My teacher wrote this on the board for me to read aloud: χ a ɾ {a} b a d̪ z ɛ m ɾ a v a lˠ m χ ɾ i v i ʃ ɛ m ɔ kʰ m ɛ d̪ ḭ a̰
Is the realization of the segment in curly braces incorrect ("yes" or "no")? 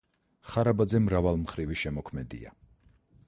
no